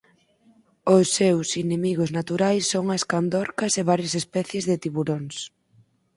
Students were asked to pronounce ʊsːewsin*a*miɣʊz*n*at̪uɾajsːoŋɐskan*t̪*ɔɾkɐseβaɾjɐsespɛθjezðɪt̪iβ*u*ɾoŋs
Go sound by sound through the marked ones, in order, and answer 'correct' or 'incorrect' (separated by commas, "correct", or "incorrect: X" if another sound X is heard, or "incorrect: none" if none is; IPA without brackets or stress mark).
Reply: incorrect: e, correct, incorrect: d̪, correct